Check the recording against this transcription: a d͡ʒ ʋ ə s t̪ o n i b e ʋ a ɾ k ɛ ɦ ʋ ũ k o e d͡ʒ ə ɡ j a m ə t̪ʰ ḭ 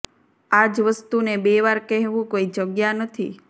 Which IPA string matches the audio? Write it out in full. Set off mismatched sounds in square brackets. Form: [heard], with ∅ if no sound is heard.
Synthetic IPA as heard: a d͡ʒ ʋ ə s t̪ [u] n [e] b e ʋ a ɾ k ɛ ɦ ʋ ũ k o [i] d͡ʒ ə ɡ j a [n] ə t̪ʰ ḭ